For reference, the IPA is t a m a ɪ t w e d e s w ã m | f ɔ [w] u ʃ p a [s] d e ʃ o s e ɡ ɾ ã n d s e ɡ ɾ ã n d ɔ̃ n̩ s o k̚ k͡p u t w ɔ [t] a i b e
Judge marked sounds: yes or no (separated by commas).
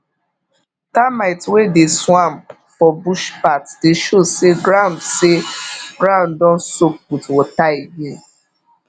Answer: no, no, yes